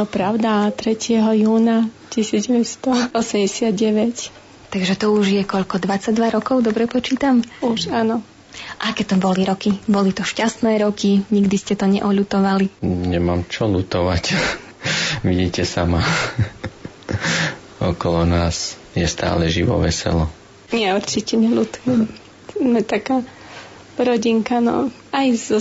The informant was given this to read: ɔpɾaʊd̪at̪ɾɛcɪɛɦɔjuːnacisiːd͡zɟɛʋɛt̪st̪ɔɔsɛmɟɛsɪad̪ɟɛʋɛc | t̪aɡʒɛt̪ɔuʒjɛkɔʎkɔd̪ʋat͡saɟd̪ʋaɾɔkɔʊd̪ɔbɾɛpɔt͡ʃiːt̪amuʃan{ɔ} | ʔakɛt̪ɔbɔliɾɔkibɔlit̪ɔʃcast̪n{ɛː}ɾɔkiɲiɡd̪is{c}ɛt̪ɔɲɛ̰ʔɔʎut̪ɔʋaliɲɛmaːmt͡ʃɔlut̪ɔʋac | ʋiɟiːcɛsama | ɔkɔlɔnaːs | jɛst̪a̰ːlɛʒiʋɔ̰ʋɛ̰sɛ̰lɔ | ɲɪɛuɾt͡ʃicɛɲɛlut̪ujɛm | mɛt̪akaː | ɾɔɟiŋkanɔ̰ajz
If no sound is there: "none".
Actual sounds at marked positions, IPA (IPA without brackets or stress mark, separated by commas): ɔ, ɛː, c